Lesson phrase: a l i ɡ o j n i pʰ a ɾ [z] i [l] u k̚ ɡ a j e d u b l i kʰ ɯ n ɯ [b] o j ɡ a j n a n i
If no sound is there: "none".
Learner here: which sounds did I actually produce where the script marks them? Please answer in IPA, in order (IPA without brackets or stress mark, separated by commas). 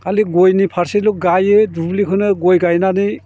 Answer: s, l, ɡ